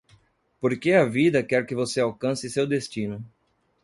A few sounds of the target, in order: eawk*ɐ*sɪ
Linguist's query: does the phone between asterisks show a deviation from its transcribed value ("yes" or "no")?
yes